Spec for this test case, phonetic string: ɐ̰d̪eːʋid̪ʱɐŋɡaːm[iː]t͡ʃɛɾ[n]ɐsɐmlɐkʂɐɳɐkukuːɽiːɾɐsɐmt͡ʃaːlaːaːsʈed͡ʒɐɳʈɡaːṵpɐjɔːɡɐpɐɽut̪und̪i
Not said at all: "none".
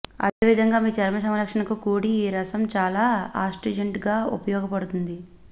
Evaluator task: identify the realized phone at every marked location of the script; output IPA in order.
iː, m

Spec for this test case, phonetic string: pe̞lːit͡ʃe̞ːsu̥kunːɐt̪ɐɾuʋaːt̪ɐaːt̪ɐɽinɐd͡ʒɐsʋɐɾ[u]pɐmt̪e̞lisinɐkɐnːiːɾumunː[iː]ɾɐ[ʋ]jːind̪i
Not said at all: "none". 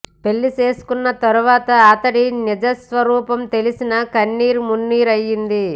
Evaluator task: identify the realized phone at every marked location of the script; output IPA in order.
uː, iː, none

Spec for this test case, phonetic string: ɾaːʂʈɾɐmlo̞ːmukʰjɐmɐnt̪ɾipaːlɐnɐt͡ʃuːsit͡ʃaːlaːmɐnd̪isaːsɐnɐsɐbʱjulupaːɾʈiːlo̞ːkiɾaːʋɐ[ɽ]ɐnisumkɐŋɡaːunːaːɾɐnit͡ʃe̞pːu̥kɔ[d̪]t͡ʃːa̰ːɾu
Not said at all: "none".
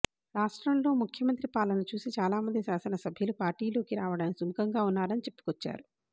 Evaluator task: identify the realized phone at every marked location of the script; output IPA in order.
ɽ, none

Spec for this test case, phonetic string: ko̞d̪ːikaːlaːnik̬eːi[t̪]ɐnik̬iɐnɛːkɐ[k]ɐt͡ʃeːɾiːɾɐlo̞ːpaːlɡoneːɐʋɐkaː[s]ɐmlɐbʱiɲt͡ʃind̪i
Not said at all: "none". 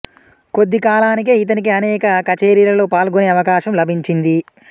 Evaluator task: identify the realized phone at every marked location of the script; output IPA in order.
t̪, k, ʃ

